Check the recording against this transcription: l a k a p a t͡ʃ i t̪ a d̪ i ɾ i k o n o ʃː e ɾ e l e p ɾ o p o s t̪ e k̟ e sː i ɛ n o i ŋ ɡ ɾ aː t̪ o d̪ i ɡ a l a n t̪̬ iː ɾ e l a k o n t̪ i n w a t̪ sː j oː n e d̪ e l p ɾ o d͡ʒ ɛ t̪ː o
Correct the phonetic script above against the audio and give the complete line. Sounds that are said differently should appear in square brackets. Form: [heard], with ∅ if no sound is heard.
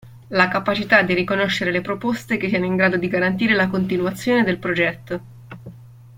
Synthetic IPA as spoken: l a k a p a t͡ʃ i t̪ a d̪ i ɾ i k o n o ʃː e ɾ e l e p ɾ o p o s t̪ e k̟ e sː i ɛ n o i ŋ ɡ ɾ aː [d̪] o d̪ i ɡ a [ɾ] a n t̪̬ iː ɾ e l a k o n t̪ i n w a t̪ sː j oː n e d̪ e l p ɾ o d͡ʒ ɛ t̪ː o